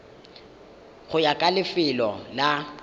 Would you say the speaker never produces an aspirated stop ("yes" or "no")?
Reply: yes